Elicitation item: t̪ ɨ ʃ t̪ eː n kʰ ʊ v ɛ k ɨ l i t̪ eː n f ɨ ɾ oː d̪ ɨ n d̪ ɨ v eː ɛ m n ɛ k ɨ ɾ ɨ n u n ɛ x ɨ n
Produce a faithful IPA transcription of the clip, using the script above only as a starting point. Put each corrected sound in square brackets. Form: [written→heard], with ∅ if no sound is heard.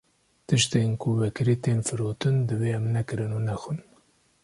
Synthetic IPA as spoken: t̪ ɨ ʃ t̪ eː n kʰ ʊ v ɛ k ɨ [l→ɾ] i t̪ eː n f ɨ ɾ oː [d̪→t̪] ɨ n d̪ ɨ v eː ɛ m n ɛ k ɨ ɾ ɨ n u n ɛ x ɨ n